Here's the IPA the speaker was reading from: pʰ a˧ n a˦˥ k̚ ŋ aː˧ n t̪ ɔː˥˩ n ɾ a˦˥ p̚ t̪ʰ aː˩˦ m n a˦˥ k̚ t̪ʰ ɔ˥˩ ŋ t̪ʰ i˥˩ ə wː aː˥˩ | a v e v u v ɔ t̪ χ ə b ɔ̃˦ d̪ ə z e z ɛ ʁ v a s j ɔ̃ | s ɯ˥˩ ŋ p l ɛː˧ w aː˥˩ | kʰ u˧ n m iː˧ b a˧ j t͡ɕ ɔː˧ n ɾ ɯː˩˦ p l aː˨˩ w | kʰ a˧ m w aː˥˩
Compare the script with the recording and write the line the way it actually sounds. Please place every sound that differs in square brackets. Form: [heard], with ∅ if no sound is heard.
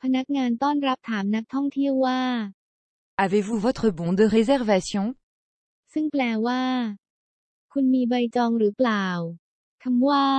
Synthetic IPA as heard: pʰ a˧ n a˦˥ k̚ ŋ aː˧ n t̪ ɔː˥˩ n ɾ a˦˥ p̚ t̪ʰ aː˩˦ m n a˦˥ k̚ t̪ʰ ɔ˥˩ ŋ t̪ʰ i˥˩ ə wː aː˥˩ | a v e v u v ɔ t̪ χ ə b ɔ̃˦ d̪ ə [ʁ] e z ɛ ʁ v a s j ɔ̃ | s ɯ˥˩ ŋ p l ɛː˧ w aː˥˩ | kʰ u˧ n m iː˧ b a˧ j t͡ɕ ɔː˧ [ŋ] ɾ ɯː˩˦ p l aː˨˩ w | kʰ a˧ m w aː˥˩